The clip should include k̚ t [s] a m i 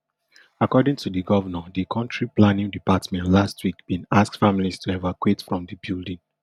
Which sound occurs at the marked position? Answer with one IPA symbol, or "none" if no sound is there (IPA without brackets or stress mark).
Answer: f